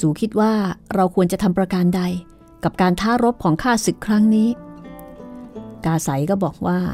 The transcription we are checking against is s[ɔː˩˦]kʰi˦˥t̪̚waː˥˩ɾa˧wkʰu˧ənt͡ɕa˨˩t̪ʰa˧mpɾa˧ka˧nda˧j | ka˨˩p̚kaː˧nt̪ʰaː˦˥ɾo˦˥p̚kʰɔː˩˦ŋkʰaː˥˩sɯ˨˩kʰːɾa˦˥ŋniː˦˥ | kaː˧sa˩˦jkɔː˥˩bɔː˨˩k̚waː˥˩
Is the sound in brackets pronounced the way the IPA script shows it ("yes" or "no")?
no